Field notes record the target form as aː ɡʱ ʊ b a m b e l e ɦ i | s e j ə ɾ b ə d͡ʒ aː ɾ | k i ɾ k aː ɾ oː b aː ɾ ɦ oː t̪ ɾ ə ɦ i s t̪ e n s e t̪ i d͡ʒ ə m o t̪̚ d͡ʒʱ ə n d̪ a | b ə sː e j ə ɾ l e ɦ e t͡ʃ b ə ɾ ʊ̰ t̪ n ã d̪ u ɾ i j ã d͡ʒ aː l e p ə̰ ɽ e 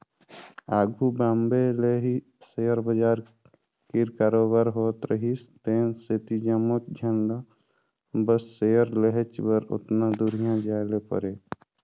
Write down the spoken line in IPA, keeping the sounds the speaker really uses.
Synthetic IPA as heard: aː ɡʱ u b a m b e l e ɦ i | s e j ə ɾ b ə d͡ʒ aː ɾ | k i ɾ k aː ɾ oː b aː ɾ ɦ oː t̪ ɾ ə ɦ i s t̪ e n s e t̪ i d͡ʒ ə m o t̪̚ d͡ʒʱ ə n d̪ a | b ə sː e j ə ɾ l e ɦ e t͡ʃ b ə ɾ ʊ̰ t̪ n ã d̪ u ɾ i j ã d͡ʒ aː l e p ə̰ ɾ e